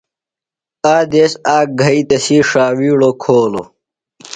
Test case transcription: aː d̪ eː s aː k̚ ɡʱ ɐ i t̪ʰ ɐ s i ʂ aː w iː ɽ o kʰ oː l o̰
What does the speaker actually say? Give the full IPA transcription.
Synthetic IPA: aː d̪ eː s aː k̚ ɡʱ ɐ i t̪ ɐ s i ʂ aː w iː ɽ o kʰ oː l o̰